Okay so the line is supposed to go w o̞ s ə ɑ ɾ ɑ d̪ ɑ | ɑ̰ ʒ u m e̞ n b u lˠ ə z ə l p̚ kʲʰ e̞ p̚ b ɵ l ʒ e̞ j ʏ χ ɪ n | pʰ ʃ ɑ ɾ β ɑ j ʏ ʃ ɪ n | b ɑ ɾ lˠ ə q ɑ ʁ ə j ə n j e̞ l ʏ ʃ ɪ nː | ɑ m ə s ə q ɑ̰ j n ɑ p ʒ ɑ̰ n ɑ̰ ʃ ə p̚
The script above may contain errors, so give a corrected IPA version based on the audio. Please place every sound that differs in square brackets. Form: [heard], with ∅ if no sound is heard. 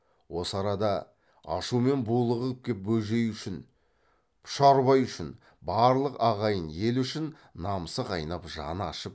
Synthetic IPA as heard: w o̞ s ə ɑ ɾ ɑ d̪ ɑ | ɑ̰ [ʃ] u m e̞ n b u lˠ ə [ʁ] ə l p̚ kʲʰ e̞ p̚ b ɵ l ʒ e̞ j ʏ [ʃ] ɪ n | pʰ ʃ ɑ ɾ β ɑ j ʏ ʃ ɪ n | b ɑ ɾ lˠ ə q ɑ ʁ [ɑ] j ə n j e̞ l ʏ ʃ ɪ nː | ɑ m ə s ə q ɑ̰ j n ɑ p ʒ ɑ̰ n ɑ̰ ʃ ə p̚